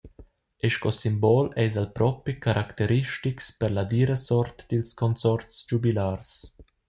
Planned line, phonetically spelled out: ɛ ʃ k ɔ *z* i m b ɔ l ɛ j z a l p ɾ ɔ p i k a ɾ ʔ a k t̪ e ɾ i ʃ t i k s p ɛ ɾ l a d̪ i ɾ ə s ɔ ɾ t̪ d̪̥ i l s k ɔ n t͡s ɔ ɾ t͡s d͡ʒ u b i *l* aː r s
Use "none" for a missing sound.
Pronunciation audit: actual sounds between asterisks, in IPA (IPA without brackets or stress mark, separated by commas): s, l